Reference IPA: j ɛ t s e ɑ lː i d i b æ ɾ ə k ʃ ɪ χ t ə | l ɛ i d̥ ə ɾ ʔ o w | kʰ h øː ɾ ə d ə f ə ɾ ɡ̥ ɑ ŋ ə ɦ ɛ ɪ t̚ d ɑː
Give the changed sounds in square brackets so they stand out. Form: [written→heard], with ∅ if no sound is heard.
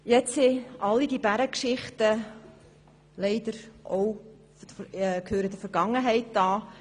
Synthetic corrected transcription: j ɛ [t→t͡s] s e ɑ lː i d i b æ ɾ ə k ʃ ɪ χ t ə | l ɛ [i→ɪ] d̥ ə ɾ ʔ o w | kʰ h øː ɾ ə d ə f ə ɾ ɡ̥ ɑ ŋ ə ɦ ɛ ɪ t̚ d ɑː